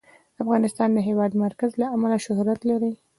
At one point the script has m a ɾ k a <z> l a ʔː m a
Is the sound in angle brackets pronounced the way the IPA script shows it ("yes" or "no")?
yes